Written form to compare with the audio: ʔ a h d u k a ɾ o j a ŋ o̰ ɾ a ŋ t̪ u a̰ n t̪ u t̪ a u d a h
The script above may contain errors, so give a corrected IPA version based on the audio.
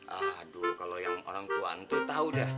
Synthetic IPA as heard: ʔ a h d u k a l o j a ŋ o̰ ɾ a ŋ t̪ u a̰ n t̪ u t̪ a u d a h